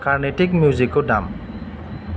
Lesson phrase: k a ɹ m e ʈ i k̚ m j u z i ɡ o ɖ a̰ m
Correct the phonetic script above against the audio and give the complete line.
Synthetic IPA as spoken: k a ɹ n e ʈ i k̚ m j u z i k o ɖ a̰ m